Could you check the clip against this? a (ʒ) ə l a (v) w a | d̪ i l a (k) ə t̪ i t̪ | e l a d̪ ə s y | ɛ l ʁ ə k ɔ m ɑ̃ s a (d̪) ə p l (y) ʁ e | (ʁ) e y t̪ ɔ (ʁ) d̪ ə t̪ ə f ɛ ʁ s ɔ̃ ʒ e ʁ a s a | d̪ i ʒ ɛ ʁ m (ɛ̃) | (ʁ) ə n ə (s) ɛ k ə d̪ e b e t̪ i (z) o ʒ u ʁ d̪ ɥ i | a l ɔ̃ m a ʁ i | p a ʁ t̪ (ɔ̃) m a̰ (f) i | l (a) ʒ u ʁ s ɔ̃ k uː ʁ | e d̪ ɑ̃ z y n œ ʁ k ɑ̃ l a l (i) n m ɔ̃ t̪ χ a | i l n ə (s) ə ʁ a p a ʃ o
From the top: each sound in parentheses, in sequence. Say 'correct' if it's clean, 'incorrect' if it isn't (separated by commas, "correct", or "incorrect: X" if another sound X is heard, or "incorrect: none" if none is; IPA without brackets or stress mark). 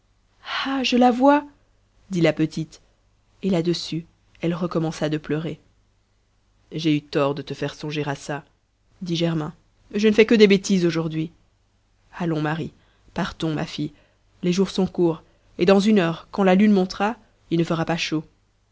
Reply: correct, correct, incorrect: p, correct, incorrect: œ, incorrect: ʒ, correct, correct, incorrect: ʒ, incorrect: f, correct, correct, correct, incorrect: e, incorrect: y, incorrect: f